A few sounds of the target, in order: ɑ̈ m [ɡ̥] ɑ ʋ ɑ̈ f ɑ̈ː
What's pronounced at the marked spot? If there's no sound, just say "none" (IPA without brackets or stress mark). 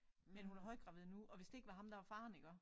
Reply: d̥